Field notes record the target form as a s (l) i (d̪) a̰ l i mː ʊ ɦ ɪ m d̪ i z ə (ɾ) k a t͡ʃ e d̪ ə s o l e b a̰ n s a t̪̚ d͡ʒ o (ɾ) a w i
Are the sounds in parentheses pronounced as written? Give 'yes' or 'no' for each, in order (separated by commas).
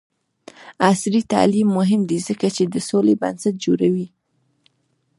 no, no, no, yes